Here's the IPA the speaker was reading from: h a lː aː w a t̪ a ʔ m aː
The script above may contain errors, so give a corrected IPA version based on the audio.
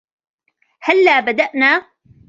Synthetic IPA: h a lː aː b a d̪ a ʔ n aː

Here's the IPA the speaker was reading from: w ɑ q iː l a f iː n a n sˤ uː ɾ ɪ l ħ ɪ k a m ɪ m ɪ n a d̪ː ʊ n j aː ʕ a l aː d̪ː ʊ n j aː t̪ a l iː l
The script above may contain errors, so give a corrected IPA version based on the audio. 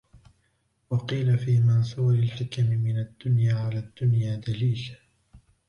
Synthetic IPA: w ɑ q iː l a f iː m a n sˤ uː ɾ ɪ l ħ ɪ k a m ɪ m ɪ n a d̪ː ʊ n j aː ʕ a l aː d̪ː ʊ n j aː d̪ a l iː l

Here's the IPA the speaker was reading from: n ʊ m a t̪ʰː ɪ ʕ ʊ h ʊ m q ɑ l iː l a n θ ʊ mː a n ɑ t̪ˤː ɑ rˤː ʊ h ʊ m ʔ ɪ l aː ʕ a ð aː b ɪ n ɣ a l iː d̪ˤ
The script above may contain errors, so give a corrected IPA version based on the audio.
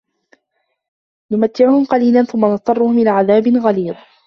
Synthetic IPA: n ʊ m a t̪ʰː ɪ ʕ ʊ h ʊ m q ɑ l iː l a n θ ʊ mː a n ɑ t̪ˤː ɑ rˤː ʊ h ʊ m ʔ ɪ l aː ʕ a ð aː b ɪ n ɣ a l iː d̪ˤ

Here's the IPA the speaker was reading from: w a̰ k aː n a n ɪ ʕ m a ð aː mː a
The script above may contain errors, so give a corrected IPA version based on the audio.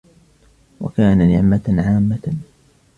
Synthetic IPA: w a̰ k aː n a n ɪ ʕ m a ʕ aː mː a

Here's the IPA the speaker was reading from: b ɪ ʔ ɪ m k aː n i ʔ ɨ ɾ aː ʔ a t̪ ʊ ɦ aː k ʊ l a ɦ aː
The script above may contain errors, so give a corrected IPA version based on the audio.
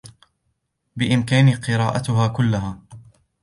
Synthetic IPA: b ɪ ʔ ɪ m k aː n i q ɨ ɾ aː ʔ a t̪ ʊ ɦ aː k ʊ lː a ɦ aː

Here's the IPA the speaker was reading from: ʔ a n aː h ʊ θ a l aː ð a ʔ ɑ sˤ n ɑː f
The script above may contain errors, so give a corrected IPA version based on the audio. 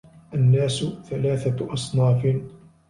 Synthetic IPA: ʔ a nː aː s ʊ θ a l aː θ a ʔ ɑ sˤ n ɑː f

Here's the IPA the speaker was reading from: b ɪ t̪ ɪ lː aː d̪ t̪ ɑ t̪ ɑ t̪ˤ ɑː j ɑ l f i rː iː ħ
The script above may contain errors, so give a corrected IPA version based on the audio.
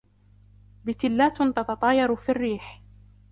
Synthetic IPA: b ɪ t̪ ɪ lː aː t̪ t̪ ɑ t̪ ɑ t̪ˤ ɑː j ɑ ɾ f i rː iː ħ

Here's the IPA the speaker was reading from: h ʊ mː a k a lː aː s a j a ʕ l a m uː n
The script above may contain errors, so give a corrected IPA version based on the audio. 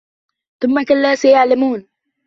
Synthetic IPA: θ ʊ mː a k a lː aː s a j a ʕ l a m uː n

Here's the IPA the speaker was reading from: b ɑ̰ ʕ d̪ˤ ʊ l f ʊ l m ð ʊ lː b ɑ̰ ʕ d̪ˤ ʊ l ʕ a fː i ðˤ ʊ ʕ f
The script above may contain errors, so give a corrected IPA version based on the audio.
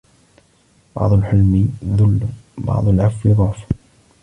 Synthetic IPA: b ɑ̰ ʕ d̪ˤ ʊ l ħ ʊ l m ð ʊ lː b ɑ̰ ʕ d̪ˤ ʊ l ʕ a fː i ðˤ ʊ ʕ f

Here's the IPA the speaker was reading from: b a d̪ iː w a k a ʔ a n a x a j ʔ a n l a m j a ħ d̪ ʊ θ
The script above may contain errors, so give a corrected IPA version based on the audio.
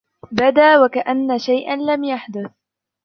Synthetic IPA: b a d̪ aː w a k a ʔ a nː a ʃ a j ʔ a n l a m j a ħ d̪ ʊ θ

